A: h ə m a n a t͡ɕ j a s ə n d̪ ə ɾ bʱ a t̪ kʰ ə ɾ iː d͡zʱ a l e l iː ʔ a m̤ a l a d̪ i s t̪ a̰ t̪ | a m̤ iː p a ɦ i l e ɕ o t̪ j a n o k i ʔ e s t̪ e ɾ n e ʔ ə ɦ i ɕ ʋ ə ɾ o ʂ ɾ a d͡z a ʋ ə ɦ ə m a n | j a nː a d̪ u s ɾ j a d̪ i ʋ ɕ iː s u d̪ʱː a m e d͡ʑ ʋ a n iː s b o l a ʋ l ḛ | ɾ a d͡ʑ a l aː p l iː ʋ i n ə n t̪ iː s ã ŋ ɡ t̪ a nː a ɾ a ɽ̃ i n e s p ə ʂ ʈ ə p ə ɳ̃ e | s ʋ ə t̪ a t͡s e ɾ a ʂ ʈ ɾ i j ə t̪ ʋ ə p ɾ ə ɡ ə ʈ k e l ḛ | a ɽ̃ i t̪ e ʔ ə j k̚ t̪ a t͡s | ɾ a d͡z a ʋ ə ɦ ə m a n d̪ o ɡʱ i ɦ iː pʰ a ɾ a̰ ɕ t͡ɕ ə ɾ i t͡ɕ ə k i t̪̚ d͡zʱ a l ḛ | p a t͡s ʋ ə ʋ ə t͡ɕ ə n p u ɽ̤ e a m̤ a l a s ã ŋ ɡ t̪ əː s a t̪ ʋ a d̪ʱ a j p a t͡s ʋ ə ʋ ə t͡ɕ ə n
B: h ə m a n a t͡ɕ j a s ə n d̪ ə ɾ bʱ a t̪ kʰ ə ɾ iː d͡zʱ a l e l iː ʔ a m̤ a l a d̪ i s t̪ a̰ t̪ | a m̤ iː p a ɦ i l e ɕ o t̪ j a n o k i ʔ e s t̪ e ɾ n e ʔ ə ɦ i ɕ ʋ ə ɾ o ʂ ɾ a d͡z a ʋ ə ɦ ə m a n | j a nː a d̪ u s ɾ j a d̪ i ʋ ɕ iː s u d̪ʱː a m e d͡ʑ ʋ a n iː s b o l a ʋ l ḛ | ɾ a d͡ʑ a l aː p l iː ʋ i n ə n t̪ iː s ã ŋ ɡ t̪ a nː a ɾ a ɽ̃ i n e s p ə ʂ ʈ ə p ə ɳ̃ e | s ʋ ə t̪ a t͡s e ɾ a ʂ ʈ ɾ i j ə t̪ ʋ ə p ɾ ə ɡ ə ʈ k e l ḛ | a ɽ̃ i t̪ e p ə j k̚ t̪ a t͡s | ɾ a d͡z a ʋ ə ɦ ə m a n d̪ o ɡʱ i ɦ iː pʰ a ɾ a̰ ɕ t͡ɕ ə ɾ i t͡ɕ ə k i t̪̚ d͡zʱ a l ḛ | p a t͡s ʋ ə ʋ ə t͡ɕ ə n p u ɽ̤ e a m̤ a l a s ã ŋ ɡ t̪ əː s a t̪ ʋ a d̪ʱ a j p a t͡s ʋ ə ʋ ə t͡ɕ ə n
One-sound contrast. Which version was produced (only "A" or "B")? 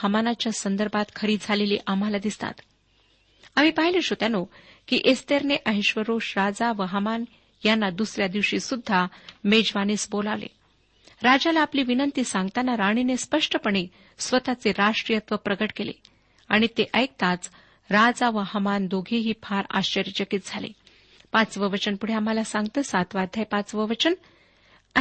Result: A